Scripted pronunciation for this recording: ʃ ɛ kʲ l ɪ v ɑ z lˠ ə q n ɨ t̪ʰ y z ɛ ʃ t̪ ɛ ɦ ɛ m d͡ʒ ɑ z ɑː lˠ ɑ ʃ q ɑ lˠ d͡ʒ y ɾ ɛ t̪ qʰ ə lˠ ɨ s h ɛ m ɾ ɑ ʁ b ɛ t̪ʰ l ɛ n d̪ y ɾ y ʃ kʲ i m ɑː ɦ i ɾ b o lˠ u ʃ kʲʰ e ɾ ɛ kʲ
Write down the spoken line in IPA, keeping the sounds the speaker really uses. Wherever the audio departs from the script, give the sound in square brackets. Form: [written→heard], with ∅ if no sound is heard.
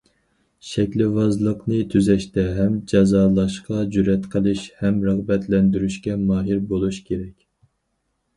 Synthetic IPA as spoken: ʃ ɛ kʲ l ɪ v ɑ z lˠ ə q n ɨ t̪ʰ y z ɛ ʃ t̪ ɛ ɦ ɛ m d͡ʒ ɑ z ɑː lˠ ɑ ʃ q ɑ [lˠ→∅] d͡ʒ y ɾ ɛ t̪ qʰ ə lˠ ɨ [s→ʃ] h ɛ m ɾ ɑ ʁ b ɛ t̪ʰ l ɛ n d̪ y ɾ y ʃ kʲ [i→ɛ] m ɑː ɦ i ɾ b o lˠ u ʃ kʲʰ e ɾ ɛ kʲ